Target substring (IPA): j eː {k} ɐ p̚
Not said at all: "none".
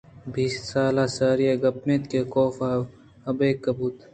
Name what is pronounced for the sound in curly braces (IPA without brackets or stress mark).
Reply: ɡ